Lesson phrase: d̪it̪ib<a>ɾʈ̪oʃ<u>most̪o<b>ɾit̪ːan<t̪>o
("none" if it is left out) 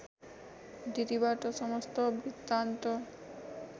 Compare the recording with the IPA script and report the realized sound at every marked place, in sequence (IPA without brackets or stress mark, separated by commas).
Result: a, ɔ, b, t̪